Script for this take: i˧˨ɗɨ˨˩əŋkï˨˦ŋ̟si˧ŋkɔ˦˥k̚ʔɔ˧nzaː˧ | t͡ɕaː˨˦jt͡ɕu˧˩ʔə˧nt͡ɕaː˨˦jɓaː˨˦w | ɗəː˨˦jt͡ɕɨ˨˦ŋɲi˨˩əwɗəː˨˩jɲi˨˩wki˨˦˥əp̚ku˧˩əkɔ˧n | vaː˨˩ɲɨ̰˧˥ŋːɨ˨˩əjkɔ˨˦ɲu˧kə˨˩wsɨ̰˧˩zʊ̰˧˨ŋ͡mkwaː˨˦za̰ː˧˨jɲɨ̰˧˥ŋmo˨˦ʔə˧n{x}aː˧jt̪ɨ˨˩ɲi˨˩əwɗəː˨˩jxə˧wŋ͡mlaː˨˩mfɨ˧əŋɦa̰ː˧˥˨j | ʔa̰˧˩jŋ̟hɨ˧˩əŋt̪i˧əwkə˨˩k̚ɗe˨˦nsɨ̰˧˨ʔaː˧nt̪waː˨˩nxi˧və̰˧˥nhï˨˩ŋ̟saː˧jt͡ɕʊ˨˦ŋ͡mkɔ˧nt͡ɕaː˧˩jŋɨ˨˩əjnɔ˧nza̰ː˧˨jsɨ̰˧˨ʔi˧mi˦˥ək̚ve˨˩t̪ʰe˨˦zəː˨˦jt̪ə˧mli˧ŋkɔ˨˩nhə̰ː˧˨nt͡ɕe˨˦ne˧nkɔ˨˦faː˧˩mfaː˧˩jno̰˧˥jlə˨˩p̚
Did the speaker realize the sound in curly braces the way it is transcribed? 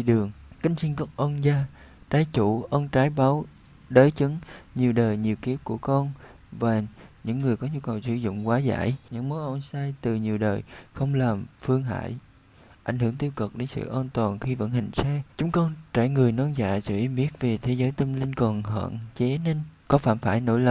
no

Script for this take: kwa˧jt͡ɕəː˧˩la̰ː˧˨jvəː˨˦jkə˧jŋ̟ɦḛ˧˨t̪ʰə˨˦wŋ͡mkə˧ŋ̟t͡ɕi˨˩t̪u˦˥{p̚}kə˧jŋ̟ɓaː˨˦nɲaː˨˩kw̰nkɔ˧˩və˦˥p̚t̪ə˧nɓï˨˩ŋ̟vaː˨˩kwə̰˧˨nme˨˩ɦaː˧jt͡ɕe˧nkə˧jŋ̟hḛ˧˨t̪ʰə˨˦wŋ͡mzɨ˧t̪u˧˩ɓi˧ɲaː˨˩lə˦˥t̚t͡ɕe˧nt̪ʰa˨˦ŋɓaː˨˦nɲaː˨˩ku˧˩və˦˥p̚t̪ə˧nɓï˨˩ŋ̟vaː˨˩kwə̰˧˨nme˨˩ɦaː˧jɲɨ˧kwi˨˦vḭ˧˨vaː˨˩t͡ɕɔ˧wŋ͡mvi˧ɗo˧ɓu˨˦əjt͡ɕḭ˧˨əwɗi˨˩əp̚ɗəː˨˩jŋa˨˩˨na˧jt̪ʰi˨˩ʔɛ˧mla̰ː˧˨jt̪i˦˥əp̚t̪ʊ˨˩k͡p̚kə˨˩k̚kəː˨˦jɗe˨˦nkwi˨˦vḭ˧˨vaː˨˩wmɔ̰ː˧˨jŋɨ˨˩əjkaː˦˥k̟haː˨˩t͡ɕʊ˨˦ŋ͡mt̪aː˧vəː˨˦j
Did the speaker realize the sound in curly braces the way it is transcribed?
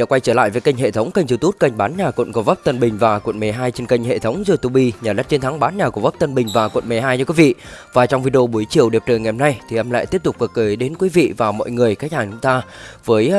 no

